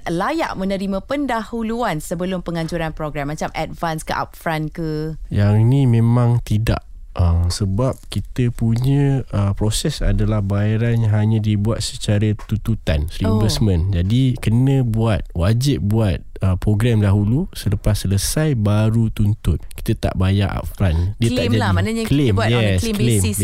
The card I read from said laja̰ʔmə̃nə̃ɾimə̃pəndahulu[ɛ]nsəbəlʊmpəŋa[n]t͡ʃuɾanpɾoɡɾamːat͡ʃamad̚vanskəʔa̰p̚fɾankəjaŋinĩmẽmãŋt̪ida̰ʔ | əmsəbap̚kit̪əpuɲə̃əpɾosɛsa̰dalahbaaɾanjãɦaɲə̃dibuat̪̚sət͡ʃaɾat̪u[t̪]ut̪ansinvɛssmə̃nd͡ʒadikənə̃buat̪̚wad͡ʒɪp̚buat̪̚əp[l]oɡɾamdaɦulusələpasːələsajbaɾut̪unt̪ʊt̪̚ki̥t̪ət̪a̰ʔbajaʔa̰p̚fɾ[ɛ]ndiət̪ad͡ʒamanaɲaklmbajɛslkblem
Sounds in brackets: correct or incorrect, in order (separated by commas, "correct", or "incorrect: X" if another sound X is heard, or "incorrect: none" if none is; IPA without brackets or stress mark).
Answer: incorrect: a, incorrect: ɲ, correct, incorrect: ɾ, incorrect: a